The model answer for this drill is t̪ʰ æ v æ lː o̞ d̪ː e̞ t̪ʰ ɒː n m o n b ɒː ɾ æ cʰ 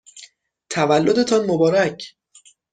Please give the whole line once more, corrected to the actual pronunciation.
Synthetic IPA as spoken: t̪ʰ æ v æ lː o̞ d̪ e̞ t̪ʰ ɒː n m o b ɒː ɾ æ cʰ